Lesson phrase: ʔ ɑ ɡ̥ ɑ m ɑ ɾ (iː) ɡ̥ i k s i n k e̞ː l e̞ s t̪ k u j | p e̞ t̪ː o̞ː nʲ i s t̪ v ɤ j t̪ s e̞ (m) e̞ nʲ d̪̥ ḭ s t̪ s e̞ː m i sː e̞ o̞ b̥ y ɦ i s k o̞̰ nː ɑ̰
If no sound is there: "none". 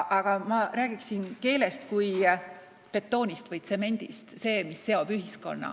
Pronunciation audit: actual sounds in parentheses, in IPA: æː, m

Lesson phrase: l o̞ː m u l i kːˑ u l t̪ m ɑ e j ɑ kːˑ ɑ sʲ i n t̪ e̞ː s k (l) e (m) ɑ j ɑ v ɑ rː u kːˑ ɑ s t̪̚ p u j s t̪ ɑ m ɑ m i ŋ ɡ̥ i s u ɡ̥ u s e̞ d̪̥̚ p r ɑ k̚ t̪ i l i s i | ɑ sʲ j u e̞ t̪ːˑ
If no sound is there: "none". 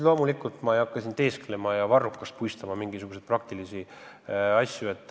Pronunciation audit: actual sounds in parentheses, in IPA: l, m

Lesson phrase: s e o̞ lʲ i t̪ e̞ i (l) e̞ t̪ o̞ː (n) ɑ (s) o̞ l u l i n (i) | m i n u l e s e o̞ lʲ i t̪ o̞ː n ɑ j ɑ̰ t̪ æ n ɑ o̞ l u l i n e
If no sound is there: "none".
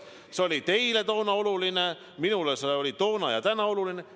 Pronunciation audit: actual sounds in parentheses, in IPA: l, n, none, e

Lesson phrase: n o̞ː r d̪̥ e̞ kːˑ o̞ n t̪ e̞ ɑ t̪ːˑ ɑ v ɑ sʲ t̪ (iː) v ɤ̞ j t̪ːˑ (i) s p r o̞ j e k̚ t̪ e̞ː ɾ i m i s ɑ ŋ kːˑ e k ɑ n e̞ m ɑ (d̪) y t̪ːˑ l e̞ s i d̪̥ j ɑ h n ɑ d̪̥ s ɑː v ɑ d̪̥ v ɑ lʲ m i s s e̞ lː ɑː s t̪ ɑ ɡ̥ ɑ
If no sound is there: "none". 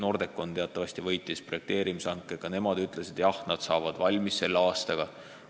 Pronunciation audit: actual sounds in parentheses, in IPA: i, i, d̪

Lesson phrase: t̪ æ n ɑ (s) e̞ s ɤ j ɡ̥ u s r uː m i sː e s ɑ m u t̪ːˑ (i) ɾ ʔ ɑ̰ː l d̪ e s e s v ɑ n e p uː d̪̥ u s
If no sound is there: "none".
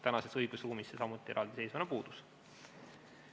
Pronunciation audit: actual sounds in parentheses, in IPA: s, i

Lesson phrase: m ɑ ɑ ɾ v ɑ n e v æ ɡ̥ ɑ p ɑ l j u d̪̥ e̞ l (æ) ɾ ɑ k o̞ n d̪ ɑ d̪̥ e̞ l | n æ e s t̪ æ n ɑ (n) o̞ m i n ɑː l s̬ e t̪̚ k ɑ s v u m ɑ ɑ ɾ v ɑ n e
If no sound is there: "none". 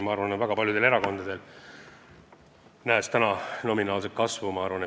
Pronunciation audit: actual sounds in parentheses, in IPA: e, n

